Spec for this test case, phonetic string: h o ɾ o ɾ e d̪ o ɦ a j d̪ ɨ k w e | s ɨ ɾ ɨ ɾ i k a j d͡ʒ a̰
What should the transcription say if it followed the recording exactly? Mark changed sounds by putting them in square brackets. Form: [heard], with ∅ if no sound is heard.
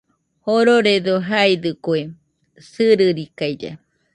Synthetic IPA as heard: h o ɾ o ɾ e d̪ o ɦ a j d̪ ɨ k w e | s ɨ ɾ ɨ ɾ i k a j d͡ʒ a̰